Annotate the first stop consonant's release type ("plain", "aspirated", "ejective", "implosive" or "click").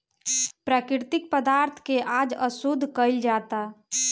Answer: plain